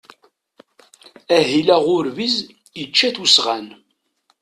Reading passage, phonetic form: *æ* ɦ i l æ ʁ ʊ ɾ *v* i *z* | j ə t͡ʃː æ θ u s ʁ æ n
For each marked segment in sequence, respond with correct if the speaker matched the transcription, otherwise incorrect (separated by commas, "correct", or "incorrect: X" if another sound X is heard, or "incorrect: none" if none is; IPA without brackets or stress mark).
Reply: correct, correct, correct